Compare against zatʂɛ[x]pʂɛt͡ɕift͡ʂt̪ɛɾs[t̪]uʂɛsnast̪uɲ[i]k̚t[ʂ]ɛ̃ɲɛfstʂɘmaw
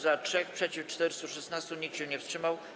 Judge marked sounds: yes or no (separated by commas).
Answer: yes, yes, yes, no